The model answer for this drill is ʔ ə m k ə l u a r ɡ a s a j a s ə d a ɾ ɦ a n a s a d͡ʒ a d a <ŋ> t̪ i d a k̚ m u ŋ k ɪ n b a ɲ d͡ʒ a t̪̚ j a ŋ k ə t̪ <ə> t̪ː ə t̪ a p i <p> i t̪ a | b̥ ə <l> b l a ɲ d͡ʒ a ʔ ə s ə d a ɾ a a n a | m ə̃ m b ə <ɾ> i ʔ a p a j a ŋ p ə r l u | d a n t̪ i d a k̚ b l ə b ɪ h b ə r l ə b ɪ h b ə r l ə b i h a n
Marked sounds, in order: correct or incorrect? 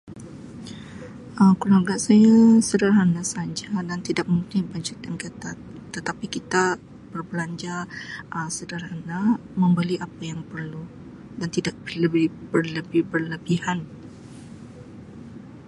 incorrect, incorrect, incorrect, incorrect, incorrect

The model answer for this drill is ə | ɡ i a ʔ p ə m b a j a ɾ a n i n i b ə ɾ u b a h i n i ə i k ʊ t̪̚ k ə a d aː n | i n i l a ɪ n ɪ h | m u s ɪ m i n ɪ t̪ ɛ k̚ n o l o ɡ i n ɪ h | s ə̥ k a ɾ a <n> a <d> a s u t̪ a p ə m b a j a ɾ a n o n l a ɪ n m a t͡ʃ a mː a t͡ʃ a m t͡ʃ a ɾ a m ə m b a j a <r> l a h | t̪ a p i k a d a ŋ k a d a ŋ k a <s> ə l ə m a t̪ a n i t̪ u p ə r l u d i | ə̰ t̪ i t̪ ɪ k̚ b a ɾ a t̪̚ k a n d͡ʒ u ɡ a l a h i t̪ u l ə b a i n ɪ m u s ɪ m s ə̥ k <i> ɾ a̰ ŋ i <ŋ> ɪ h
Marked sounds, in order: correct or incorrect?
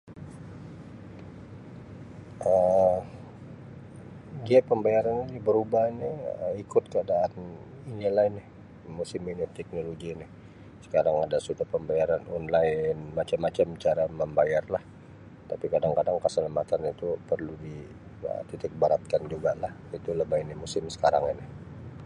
incorrect, correct, correct, correct, incorrect, incorrect

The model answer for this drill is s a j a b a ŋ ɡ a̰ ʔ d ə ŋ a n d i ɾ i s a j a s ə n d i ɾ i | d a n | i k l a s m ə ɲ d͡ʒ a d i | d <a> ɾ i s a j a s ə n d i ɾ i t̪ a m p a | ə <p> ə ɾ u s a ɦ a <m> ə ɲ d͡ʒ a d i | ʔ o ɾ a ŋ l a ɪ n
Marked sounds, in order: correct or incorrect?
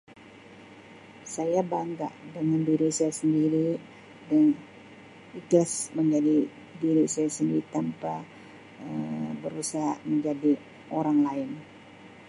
incorrect, incorrect, correct

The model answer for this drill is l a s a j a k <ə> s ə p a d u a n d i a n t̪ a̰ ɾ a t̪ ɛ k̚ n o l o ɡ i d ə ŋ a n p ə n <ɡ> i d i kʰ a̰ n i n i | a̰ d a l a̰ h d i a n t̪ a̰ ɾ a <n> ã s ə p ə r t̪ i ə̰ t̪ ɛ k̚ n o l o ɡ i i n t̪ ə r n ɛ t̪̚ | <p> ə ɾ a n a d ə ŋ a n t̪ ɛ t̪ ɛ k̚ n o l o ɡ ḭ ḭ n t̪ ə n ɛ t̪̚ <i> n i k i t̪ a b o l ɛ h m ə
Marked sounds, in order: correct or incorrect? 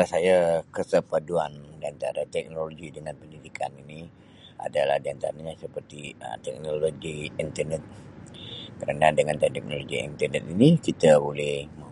correct, incorrect, incorrect, incorrect, correct

